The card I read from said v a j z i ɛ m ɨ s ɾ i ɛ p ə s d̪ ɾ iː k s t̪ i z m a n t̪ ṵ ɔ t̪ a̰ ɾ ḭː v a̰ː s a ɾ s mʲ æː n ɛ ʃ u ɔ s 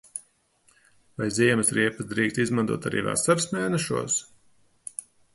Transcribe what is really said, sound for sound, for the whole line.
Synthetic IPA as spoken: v a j z i ɛ m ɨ s ɾ i ɛ p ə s d̪ ɾ iː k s t̪ i z m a n t̪ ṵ ɔ t̪ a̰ ɾ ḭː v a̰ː s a ɾ s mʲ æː n ɛ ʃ u ɔ s